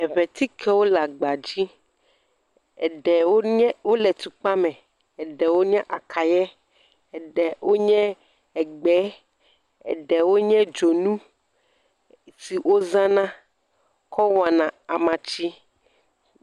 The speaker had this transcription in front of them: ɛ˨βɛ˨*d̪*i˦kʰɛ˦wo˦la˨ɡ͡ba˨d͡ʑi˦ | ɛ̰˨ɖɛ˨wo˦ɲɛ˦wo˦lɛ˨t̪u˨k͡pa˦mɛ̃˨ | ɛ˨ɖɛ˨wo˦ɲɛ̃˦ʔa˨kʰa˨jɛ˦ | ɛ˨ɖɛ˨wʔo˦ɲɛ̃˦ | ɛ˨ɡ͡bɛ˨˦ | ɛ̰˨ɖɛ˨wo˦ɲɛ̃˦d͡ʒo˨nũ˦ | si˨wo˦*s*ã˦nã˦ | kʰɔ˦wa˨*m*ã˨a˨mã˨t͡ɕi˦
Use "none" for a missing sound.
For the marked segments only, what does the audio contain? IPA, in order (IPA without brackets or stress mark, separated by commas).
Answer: t̪, z, n